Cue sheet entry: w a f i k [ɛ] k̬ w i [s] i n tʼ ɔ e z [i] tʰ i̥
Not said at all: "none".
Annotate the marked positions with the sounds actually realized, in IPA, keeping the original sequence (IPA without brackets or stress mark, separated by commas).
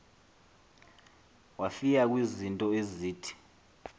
a, z, iː